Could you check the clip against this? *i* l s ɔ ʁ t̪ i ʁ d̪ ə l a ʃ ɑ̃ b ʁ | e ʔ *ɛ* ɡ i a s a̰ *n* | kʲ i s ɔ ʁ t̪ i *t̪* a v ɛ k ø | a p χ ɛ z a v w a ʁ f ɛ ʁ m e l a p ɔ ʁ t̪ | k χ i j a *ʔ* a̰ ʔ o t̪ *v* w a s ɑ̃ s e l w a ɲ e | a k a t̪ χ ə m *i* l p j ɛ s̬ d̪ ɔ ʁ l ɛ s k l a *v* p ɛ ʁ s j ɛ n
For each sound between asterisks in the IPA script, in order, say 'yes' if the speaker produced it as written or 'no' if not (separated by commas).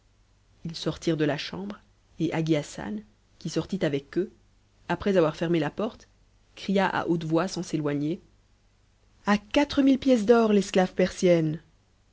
yes, no, yes, yes, yes, yes, yes, yes